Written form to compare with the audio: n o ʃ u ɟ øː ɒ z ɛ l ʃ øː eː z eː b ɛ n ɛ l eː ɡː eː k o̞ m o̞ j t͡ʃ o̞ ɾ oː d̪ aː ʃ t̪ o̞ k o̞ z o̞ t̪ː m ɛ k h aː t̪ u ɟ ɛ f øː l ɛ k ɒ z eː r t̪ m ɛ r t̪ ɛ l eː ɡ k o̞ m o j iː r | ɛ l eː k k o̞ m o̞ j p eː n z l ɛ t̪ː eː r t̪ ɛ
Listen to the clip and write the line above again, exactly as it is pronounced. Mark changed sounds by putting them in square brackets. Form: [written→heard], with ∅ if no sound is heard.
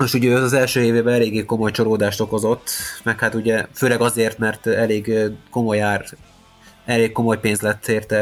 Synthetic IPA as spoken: n o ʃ u ɟ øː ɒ z ɛ l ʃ øː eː [z→v] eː b ɛ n ɛ l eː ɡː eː k o̞ m o̞ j t͡ʃ o̞ ɾ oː d̪ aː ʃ t̪ o̞ k o̞ z o̞ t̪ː m ɛ k h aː t̪ u ɟ ɛ f øː l ɛ [k→ɡ] ɒ z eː r t̪ m ɛ r t̪ ɛ l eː ɡ k o̞ m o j [iː→aː] r | ɛ l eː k k o̞ m o̞ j p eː n z l ɛ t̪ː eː r t̪ ɛ